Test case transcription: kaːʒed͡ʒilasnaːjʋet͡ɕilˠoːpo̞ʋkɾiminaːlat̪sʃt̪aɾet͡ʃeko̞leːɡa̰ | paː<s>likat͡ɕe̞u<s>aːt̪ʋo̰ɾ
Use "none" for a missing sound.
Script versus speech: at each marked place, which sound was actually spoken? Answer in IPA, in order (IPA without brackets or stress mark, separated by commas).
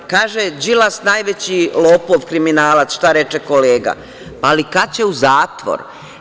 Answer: none, z